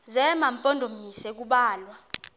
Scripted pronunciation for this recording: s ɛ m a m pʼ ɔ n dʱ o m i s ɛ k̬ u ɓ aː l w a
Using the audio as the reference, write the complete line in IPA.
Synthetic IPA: z ɛ m a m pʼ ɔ n dʱ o m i s ɛ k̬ u ɓ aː l w a

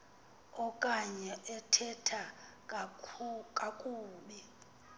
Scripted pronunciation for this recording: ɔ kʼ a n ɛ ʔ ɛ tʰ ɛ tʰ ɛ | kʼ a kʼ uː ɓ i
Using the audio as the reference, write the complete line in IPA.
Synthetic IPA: ɔ kʼ a ɲ ɛ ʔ ɛ tʰ ɛ tʰ a | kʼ a kʼ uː ɓ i

